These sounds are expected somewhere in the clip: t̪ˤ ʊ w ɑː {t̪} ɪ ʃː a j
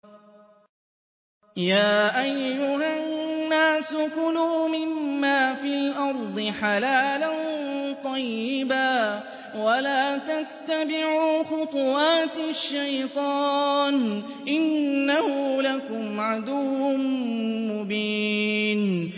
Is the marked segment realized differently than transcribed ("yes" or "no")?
no